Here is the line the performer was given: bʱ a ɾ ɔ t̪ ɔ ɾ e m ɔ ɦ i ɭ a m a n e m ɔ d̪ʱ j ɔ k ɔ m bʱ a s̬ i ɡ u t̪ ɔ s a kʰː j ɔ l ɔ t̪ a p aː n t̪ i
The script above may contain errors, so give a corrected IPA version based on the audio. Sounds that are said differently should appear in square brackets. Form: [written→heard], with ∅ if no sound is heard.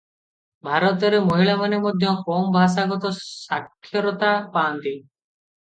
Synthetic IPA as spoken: bʱ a ɾ ɔ t̪ ɔ ɾ e m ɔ ɦ i ɭ a m a n e m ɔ d̪ʱ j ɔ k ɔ m bʱ a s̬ [i→a] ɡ [u→ɔ] t̪ ɔ s a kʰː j ɔ [l→ɾ] ɔ t̪ a p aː n t̪ i